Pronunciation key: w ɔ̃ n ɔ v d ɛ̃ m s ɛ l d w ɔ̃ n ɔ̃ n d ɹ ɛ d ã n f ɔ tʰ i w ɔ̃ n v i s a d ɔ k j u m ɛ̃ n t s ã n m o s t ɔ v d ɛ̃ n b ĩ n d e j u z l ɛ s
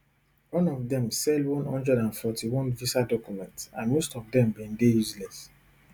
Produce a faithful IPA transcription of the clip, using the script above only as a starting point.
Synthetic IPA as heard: w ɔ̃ n ɔ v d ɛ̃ m s ɛ l d w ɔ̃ n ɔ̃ n d ɹ ɛ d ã n f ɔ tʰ i w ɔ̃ n v i s a d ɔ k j u m ɛ̃ n t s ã n m o s t ɔ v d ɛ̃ m b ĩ n d e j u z l ɛ s